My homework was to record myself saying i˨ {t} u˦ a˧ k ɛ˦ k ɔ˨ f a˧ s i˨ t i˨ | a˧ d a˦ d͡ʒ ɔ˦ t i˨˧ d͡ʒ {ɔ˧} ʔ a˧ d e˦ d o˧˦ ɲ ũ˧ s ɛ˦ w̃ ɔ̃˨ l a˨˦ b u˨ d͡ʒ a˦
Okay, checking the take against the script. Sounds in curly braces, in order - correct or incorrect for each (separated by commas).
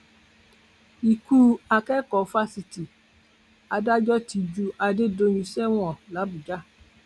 incorrect, incorrect